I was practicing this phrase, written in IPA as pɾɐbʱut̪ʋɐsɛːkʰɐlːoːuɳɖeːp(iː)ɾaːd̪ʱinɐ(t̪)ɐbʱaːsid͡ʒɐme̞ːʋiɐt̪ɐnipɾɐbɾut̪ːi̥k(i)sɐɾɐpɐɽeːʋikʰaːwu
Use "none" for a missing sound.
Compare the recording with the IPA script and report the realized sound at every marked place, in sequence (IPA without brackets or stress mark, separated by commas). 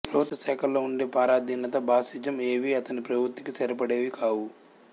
aː, t̪, i